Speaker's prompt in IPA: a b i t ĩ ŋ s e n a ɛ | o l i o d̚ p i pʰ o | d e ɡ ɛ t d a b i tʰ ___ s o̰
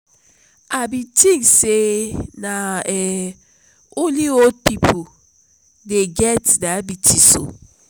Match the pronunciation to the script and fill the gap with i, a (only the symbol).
i